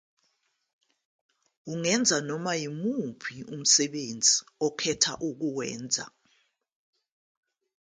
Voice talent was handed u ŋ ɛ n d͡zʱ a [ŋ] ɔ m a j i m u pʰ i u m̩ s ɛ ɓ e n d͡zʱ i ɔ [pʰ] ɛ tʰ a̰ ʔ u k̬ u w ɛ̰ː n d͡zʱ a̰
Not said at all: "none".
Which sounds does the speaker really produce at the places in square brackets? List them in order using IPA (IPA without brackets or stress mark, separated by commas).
n, kʰ